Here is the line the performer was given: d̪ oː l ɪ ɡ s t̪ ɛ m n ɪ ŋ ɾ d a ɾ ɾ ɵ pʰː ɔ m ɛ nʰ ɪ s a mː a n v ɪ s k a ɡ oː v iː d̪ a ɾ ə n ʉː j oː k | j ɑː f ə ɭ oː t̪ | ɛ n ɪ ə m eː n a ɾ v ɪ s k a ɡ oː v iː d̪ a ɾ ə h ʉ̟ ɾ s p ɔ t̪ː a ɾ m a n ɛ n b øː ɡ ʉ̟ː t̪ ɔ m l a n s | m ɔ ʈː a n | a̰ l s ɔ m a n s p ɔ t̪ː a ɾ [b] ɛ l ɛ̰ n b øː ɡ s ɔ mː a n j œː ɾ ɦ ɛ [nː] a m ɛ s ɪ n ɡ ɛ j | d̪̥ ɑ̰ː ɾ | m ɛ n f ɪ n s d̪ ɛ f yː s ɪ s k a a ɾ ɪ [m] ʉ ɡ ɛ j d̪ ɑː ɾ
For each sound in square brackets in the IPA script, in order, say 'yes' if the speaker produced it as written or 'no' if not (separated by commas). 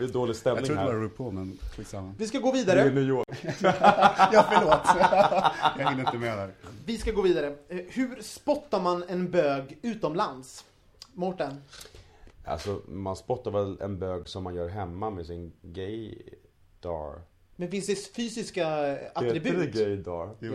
no, no, no